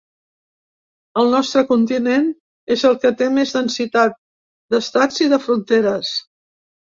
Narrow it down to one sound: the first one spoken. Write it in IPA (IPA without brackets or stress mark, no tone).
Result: ə